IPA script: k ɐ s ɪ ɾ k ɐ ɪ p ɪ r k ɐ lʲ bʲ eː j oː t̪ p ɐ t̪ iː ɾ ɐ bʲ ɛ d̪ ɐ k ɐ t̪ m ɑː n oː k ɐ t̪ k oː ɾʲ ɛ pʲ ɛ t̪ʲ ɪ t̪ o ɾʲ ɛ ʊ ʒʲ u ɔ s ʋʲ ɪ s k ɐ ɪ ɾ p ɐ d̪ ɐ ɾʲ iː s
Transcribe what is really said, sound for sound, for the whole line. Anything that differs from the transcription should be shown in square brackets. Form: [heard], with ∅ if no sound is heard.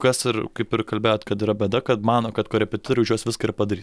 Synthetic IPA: k ɐ s ɪ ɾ k ɐ ɪ p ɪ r k ɐ lʲ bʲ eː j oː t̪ [k] ɐ t̪ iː ɾ ɐ bʲ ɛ d̪ ɐ k ɐ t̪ m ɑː n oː k ɐ t̪ k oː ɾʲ ɛ pʲ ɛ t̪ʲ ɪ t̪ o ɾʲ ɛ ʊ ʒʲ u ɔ s ʋʲ ɪ s k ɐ ɪ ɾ p ɐ d̪ ɐ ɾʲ iː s